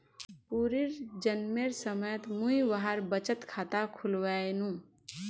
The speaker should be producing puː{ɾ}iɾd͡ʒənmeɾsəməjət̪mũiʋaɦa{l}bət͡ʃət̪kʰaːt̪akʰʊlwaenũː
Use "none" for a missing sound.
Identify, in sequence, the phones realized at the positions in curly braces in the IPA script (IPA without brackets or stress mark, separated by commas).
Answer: ɾ, ɾ